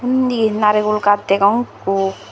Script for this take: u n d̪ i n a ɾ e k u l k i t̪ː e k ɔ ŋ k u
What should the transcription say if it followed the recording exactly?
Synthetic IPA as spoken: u n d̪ i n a ɾ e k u l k a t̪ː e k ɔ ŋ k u